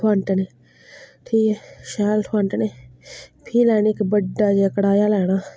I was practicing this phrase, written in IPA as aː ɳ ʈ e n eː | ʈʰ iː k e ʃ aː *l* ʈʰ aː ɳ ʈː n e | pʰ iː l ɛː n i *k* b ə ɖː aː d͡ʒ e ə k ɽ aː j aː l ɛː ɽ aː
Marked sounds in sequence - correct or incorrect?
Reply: correct, correct

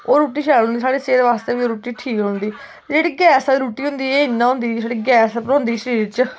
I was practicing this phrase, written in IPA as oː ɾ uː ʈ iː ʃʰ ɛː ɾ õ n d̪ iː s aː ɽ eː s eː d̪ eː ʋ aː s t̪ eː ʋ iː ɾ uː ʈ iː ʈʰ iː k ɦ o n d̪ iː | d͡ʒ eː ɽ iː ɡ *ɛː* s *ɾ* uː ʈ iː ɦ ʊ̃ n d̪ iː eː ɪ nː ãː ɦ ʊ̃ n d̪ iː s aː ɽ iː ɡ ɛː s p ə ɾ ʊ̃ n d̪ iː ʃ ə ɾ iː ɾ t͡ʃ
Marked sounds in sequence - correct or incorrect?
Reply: correct, correct

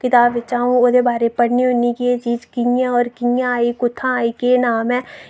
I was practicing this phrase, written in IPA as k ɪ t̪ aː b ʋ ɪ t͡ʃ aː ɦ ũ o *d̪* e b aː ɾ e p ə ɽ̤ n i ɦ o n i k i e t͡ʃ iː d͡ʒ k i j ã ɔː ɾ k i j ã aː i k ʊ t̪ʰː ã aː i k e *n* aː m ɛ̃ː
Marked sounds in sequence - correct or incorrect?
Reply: correct, correct

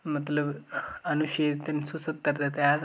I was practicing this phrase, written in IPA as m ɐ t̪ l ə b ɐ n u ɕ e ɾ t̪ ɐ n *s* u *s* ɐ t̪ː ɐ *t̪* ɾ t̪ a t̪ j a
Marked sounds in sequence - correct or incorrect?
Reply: correct, correct, incorrect

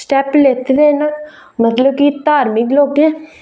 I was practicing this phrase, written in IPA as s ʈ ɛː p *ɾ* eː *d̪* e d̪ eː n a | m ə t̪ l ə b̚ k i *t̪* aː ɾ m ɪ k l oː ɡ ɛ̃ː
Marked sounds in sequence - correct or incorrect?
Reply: incorrect, incorrect, correct

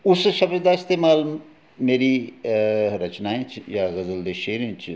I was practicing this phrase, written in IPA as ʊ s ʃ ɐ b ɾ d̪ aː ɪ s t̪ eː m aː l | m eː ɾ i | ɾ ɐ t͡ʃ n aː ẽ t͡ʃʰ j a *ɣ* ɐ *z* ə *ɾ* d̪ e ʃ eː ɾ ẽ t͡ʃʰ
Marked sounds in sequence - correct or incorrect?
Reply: correct, correct, incorrect

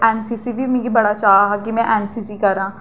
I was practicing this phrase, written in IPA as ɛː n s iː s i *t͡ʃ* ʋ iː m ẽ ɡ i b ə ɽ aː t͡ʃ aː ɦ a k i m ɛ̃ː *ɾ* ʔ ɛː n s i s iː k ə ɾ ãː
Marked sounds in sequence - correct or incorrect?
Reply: incorrect, incorrect

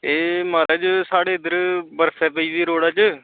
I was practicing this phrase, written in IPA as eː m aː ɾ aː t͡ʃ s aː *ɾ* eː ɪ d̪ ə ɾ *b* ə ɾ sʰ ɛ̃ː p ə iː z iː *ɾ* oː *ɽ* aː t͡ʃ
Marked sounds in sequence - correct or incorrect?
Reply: incorrect, correct, correct, correct

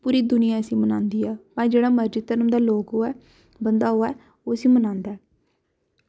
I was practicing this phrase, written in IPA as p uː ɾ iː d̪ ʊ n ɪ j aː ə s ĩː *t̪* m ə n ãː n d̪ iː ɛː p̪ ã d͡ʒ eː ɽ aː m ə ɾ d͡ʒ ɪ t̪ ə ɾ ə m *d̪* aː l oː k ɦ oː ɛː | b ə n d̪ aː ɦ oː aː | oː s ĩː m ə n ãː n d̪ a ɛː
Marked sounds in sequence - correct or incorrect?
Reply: incorrect, correct

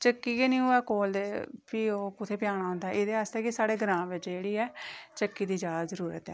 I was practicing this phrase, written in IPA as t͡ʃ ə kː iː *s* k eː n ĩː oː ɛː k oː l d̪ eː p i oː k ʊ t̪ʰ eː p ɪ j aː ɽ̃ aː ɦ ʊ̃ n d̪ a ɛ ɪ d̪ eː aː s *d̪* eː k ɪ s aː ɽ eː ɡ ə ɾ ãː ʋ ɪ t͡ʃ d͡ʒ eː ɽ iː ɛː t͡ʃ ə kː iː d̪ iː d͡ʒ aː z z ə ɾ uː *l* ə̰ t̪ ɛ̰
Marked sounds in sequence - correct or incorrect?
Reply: incorrect, incorrect, incorrect

